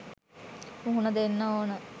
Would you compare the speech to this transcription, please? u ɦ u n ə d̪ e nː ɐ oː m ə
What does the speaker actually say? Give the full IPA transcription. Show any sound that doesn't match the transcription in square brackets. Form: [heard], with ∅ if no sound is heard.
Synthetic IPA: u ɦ u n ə d̪ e nː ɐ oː [n] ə